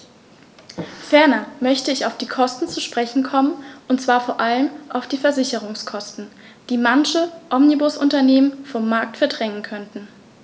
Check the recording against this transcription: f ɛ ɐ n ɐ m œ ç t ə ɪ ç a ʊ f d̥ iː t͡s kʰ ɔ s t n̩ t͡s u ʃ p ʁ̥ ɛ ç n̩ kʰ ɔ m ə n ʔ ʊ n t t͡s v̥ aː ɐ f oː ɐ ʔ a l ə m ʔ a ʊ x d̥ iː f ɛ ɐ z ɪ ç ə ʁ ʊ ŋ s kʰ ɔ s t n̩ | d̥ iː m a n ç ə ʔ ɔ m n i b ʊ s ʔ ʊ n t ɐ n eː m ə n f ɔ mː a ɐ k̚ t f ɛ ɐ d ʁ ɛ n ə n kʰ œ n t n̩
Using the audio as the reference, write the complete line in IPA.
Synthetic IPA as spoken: f ɛ ɐ n ɐ m œ ç t ə ɪ ç a ʊ f d̥ iː kʰ ɔ s t n̩ t͡s u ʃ p ʁ̥ ɛ ç n̩ kʰ ɔ m ə n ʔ ʊ n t t͡s v̥ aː ɐ f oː ɐ ʔ a l ə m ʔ a ʊ f d̥ iː f ɛ ɐ z ɪ ç ə ʁ ʊ ŋ s kʰ ɔ s t n̩ | d̥ iː m a n ç ə ʔ ɔ m n i b ʊ s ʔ ʊ n t ɐ n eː m ə n f ɔ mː a ɐ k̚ t f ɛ ɐ d ʁ ɛ ŋ ə n kʰ œ n t n̩

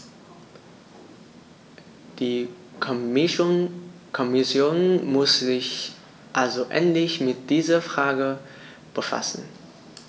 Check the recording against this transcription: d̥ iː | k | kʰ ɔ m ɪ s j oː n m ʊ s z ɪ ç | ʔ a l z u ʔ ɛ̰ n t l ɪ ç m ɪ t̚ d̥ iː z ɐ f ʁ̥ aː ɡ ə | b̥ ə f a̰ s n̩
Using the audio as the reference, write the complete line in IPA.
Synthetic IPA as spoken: d̥ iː | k | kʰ ɔ m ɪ s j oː n m ʊ s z ɪ ç | ʔ a l z o ʔ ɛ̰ n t l ɪ ç m ɪ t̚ d̥ iː z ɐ f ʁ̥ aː ɡ ə | b̥ ə f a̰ s n̩

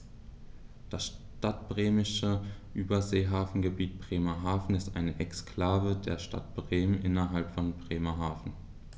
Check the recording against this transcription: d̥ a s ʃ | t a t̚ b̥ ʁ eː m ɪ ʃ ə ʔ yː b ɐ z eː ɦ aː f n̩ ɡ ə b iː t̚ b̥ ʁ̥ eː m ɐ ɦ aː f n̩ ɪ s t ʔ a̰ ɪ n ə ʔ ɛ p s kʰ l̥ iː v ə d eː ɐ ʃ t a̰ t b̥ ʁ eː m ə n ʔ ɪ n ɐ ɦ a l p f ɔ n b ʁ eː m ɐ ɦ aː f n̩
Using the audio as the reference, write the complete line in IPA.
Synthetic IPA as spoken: d̥ a s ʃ | t a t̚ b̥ ʁ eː m ɪ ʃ ə ʔ yː b ɐ z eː ɦ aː f n̩ ɡ ə b iː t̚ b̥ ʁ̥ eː m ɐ ɦ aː f n̩ ɪ s t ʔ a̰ ɪ n ə ʔ ɛ k s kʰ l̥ aː v ə d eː ɐ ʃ t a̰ t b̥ ʁ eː m ə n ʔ ɪ n ɐ ɦ a l p f ɔ n b ʁ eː m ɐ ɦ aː f n̩

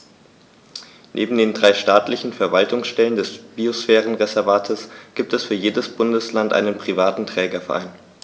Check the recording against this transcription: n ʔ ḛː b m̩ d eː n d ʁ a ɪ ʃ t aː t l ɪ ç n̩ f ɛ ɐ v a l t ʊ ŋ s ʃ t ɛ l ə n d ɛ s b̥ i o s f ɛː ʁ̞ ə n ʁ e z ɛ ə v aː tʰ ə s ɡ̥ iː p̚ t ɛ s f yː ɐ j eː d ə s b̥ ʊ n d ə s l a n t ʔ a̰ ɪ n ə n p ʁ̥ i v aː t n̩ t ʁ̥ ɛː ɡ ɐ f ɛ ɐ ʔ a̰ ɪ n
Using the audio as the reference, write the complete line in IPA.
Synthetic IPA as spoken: n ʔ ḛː b m̩ d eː n d ʁ a ɪ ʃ t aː t l ɪ ç n̩ f ɛ ɐ v a l t ʊ ŋ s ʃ t ɛ l ə n d ɛ s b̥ i o s f ɛː ʁ̞ ə n ʁ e z ɛ ɐ v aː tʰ ə s ɡ̥ iː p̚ t ɛ s f yː ɐ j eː d ə s b̥ ʊ n d ə s l a n t ʔ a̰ ɪ n ə n p ʁ̥ i v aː t n̩ t ʁ̥ ɛː ɡ ɐ f ɛ ɐ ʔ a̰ ɪ n

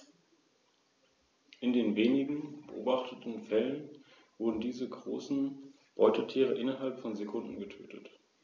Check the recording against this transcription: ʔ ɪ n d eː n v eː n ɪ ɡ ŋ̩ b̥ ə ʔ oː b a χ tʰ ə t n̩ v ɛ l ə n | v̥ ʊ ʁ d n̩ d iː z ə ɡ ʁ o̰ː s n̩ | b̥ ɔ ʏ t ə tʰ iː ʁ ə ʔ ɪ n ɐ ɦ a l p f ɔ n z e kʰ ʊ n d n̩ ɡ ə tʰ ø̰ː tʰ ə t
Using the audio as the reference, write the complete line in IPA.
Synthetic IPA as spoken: ʔ ɪ n d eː n v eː n ɪ ɡ ŋ̩ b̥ ə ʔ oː b a χ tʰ ə t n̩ f ɛ l ə n | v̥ ʊ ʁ d n̩ d iː z ə ɡ ʁ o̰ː s n̩ | b̥ ɔ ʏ t ə tʰ iː ʁ ə ʔ ɪ n ɐ ɦ a l p f ɔ n z e kʰ ʊ n d n̩ ɡ ə tʰ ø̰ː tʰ ə t

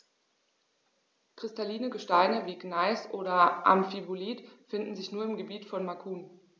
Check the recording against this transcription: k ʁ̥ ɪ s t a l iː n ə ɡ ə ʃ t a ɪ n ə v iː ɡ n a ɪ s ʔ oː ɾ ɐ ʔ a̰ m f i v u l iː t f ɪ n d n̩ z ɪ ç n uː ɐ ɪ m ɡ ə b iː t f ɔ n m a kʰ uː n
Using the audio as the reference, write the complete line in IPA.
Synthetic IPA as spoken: k ʁ̥ ɪ s t a l iː n ə ɡ ə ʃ t a ɪ n ə v iː ɡ n a ɪ s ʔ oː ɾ ɐ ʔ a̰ m f i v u l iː t f ɪ n d n̩ z ɪ ç n uː ɐ ɪ m ɡ ə b iː t f ɔ n m a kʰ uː n

